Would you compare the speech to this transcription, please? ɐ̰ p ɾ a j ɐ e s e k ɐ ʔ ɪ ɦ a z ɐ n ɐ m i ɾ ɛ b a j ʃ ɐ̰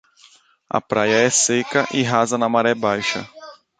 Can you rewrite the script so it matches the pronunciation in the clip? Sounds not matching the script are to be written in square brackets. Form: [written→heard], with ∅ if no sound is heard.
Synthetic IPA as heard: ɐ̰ p ɾ a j ɐ [e→ɛ] s e k ɐ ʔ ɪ ɦ a z ɐ n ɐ m [i→a] ɾ ɛ b a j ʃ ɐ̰

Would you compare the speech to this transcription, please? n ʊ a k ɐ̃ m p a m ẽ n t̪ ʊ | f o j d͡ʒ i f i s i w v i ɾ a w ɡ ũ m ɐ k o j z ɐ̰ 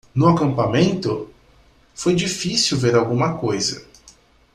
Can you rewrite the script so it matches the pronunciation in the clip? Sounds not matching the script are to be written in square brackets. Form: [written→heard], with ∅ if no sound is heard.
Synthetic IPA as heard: n ʊ a k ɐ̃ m p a m ẽ n t̪ ʊ | f o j d͡ʒ i f i s i w v [i→e] ɾ a w ɡ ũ m ɐ k o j z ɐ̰

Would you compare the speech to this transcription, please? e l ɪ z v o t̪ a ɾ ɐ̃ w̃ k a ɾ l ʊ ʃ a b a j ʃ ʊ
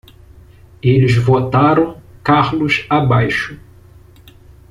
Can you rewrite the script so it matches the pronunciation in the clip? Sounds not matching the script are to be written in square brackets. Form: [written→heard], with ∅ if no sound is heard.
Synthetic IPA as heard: e l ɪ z v o t̪ a ɾ ɐ̃ w̃ k a ɾ l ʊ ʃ a b a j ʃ ʊ

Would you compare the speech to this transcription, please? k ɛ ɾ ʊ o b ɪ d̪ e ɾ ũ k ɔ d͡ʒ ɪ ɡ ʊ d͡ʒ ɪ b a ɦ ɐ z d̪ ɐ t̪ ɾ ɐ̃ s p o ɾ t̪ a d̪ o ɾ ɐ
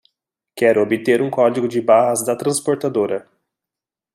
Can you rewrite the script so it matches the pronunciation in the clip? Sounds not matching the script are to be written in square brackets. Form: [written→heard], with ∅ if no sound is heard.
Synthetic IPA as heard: k ɛ ɾ ʊ o b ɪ [d̪→t̪] e ɾ ũ k ɔ d͡ʒ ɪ ɡ ʊ d͡ʒ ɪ b a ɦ ɐ z d̪ ɐ t̪ ɾ ɐ̃ s p o ɾ t̪ a d̪ o ɾ ɐ

